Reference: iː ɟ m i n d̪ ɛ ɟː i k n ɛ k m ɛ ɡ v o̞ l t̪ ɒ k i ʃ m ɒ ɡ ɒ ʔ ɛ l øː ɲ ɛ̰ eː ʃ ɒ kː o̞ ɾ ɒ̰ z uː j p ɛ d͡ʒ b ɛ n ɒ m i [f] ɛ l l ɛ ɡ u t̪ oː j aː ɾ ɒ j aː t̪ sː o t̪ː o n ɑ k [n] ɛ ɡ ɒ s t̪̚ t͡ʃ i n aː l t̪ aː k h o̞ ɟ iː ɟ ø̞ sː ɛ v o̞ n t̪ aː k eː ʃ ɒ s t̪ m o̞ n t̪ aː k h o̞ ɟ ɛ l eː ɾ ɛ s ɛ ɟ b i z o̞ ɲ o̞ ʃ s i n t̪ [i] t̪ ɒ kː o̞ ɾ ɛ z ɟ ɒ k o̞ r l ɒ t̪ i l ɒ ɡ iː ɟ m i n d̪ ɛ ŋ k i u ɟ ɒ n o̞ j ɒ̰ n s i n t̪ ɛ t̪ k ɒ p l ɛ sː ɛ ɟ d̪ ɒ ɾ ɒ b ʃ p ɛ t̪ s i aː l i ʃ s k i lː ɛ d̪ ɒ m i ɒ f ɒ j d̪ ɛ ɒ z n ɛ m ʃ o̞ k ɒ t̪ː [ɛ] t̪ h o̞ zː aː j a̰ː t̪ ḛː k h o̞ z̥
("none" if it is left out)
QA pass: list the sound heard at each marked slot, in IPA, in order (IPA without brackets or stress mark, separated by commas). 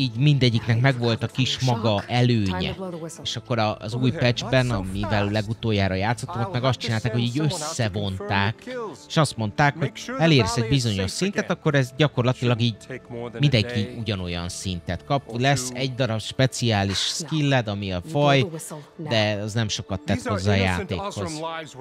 v, m, ɛ, ɛ